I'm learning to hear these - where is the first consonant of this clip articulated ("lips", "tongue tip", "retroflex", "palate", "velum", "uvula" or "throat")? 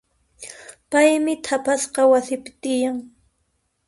lips